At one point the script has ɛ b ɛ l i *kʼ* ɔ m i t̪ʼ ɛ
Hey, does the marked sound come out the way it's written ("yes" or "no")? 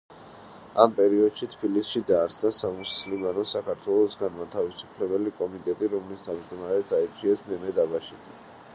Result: yes